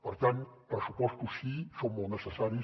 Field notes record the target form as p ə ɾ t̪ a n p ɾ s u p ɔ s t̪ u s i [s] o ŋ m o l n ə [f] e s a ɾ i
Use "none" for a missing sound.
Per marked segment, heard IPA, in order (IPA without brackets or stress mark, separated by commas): s, s